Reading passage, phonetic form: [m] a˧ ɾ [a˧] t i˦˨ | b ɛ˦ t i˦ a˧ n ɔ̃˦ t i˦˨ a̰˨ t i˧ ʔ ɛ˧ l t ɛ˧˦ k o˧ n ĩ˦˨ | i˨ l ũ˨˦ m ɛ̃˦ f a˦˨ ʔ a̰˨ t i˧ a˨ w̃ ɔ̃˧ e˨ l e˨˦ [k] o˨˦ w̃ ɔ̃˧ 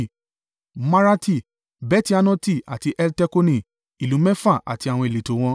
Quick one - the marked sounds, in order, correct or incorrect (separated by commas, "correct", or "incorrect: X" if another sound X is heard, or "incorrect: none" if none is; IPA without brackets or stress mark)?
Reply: correct, correct, incorrect: t